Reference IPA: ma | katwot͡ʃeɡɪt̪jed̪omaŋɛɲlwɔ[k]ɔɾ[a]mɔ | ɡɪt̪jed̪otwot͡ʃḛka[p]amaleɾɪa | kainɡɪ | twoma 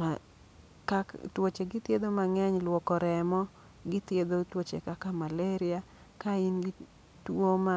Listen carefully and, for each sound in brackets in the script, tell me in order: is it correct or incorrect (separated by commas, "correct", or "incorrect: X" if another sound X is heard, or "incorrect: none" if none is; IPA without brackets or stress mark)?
correct, incorrect: ɛ, incorrect: k